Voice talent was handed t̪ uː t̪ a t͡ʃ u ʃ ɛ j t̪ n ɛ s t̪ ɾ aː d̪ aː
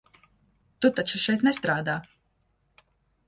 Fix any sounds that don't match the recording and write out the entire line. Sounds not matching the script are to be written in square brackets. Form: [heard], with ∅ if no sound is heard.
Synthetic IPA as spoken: t̪ [u] t̪ a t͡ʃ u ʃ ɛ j t̪ n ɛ s t̪ ɾ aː d̪ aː